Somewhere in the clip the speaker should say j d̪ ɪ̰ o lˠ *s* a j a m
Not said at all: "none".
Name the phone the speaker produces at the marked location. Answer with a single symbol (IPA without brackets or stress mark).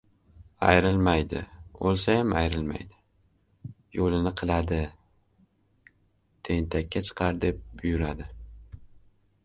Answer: s